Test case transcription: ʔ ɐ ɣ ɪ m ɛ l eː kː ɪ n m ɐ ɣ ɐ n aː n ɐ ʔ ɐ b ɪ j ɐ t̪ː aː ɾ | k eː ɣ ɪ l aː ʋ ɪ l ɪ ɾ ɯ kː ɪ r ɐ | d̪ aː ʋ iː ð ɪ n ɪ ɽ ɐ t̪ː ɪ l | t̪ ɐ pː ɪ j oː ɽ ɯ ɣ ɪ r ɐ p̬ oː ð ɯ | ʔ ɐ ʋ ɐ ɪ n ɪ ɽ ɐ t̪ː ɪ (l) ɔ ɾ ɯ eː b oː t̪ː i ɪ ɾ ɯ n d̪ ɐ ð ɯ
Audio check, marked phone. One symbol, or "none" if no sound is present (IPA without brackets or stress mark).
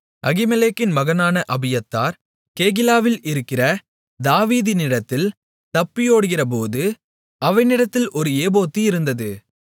l